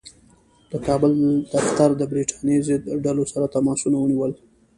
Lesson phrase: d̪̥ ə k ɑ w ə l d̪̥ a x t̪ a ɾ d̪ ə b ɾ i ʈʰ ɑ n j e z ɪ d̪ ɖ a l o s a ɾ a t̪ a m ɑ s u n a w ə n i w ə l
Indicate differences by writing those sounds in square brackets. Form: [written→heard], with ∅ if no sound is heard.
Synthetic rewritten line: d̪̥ ə k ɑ [w→b] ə l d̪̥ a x t̪ a ɾ d̪ ə b ɾ i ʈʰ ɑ n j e z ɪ d̪ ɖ a l o s a ɾ a t̪ a m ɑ s u n a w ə n i w ə l